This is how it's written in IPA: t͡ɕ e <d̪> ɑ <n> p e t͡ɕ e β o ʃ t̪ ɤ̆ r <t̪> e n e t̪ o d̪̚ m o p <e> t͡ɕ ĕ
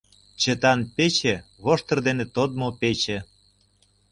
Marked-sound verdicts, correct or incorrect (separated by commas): incorrect, correct, incorrect, correct